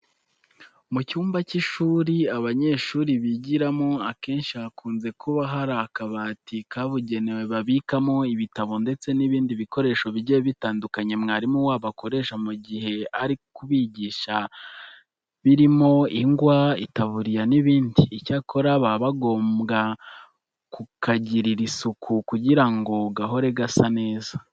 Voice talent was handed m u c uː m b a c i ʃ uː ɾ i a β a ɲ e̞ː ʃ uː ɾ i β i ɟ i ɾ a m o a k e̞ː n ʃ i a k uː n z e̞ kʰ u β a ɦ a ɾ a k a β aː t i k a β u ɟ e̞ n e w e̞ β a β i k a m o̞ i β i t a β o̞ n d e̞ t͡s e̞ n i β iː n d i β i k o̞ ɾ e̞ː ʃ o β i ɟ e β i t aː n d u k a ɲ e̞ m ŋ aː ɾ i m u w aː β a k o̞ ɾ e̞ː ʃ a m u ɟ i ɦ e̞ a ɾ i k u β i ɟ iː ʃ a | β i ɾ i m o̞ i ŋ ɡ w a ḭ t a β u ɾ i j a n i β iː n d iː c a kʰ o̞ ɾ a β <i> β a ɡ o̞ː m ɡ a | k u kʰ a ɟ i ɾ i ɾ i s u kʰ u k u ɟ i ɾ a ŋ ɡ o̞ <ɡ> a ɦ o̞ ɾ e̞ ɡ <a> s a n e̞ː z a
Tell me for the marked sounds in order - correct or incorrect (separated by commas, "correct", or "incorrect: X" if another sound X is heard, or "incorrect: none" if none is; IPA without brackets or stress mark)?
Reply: incorrect: a, correct, correct